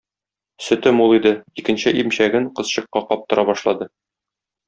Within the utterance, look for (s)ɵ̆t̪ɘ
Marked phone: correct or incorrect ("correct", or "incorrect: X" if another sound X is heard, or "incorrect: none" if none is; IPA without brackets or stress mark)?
correct